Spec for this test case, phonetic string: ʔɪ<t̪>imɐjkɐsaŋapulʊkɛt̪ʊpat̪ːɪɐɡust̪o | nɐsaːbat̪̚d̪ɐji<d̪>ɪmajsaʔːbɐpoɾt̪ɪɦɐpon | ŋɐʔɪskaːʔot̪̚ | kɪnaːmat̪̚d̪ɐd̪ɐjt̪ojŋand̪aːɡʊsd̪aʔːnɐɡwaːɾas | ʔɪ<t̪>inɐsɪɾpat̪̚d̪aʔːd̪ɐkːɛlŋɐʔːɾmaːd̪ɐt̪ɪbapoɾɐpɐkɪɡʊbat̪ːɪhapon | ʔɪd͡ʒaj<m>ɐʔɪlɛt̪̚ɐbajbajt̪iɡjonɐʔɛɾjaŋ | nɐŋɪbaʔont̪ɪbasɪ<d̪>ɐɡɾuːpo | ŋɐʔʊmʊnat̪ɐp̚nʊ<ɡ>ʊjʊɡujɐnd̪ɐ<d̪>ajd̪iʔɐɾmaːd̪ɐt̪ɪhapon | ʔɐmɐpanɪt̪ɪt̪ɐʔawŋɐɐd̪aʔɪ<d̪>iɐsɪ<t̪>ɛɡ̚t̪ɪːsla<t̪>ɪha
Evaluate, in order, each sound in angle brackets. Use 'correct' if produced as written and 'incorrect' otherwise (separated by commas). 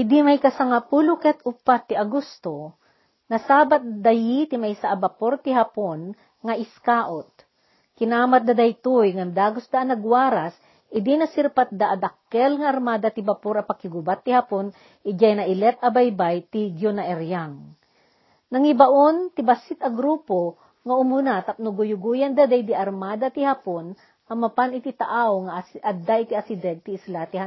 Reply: incorrect, incorrect, incorrect, incorrect, incorrect, correct, correct, incorrect, incorrect, correct